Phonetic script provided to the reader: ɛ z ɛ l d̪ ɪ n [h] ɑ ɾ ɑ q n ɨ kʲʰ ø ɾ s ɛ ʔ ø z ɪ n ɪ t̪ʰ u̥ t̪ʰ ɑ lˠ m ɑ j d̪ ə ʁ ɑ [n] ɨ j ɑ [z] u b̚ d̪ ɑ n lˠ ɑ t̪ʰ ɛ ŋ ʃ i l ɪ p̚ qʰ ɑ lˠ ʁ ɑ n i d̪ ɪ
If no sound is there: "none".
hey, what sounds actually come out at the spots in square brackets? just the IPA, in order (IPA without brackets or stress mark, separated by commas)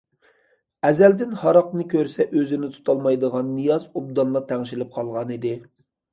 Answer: h, nː, z